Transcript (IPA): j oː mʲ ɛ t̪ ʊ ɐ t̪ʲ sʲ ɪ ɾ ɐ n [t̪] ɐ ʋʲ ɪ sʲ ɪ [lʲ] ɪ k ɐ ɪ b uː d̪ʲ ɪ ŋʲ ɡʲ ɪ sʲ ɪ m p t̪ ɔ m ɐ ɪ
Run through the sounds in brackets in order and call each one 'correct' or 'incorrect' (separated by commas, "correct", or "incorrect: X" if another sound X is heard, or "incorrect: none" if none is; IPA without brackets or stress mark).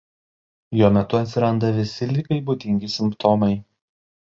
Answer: incorrect: d̪, correct